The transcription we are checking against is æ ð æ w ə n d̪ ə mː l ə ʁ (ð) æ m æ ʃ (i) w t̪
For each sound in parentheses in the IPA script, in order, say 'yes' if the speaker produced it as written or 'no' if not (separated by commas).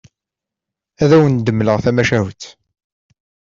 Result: no, no